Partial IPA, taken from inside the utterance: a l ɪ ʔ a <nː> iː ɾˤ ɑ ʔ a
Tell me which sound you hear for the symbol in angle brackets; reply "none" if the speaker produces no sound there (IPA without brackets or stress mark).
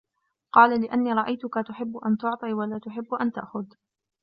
nː